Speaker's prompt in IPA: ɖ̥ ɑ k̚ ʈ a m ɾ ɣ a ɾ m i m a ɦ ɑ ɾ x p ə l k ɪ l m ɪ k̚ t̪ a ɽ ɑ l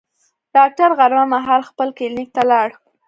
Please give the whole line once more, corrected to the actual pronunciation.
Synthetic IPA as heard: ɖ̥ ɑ k̚ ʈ a ɾ ɣ a ɾ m a m a ɦ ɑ l x p ə l k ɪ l n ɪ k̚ t̪ a l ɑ ɽ